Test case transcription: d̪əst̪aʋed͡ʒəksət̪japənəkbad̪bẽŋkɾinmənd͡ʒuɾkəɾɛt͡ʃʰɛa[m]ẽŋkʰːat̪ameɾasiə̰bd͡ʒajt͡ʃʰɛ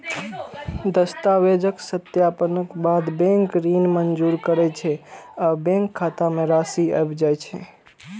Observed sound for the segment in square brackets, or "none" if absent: b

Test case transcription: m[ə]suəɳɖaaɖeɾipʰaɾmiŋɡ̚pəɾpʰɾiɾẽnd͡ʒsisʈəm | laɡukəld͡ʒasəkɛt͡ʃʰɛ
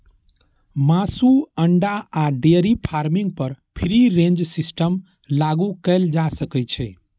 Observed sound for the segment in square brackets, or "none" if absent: a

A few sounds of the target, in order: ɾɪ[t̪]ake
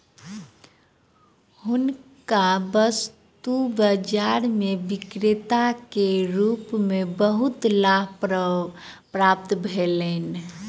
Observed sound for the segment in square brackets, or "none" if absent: t̪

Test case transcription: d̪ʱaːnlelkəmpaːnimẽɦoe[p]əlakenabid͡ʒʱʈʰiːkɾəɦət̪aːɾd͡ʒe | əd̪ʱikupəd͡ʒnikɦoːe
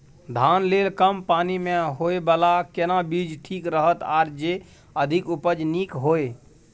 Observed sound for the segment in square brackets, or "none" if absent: b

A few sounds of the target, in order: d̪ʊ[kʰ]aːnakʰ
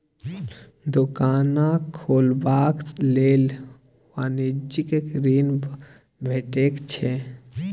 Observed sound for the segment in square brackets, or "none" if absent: k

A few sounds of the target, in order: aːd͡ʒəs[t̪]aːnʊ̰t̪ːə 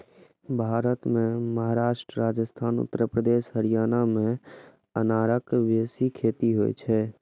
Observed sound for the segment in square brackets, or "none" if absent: t̪ʰ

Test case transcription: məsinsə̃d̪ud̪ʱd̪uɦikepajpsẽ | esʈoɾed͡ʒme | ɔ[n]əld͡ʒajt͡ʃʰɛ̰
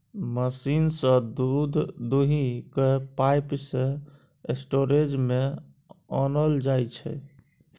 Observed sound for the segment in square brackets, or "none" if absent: n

